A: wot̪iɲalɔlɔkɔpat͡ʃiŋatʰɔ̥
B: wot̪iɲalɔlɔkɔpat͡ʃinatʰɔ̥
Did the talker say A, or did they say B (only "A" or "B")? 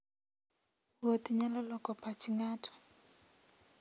A